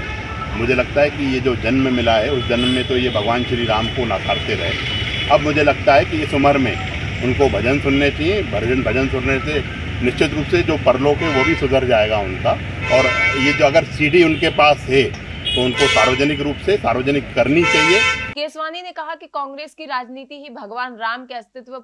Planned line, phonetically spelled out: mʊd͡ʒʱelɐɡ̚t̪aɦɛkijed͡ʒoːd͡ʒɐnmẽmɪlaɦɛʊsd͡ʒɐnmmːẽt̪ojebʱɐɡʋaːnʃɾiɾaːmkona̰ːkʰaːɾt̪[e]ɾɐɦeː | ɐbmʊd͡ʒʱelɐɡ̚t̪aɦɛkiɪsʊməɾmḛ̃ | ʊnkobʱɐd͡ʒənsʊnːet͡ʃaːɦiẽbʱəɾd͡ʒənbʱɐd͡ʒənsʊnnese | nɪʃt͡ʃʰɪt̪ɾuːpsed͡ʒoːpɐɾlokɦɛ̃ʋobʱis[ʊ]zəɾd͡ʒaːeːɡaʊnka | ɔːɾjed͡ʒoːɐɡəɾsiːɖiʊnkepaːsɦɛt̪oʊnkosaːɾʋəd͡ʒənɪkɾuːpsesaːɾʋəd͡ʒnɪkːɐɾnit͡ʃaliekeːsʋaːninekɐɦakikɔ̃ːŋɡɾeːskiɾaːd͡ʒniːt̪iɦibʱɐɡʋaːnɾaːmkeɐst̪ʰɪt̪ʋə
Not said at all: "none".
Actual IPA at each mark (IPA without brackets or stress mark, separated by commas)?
e, ʊ